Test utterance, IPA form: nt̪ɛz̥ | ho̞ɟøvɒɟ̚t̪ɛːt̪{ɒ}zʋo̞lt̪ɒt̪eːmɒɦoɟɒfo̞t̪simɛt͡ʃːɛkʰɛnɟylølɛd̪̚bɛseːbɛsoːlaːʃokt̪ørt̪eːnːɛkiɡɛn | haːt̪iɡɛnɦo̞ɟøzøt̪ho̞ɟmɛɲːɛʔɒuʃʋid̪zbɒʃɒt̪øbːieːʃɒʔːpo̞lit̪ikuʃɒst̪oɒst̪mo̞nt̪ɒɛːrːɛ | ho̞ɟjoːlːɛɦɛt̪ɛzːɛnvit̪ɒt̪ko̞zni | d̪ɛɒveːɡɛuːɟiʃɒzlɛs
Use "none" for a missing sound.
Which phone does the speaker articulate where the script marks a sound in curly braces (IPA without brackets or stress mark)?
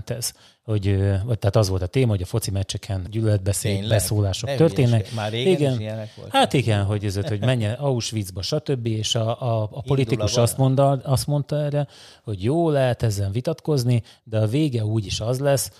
ɒ